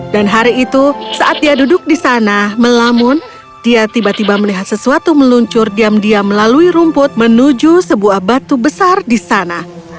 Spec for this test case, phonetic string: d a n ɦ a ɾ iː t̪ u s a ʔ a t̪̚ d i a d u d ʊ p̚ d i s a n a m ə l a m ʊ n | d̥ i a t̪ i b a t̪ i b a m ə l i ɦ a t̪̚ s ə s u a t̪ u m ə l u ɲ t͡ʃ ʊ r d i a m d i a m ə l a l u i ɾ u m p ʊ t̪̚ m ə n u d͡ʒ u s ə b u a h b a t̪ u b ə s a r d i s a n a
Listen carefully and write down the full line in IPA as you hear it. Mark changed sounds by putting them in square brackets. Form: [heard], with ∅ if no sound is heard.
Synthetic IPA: d a n ɦ a ɾ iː t̪ u s a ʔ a t̪̚ d i a d u d ʊ [k̚] d i s a n a m ə l a m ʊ n | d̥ i a t̪ i b a t̪ i b a m ə l i ɦ a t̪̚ s ə s u a t̪ u m ə l u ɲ t͡ʃ ʊ r d i a m d i a m ə l a l u i ɾ u m p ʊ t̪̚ m ə n u d͡ʒ u s ə b u a h b a t̪ u b ə s a r d i s a n a